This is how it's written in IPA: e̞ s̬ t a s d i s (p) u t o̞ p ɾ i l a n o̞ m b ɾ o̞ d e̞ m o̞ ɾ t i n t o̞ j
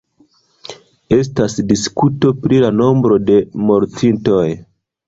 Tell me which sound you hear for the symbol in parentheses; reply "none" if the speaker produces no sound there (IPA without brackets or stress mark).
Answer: k